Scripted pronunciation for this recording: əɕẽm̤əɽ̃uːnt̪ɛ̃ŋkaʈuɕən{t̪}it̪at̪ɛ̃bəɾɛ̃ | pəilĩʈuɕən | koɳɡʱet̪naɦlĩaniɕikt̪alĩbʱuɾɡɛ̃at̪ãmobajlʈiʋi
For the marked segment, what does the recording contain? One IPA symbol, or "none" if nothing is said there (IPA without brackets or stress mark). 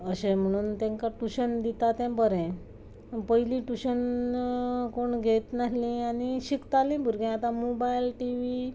d̪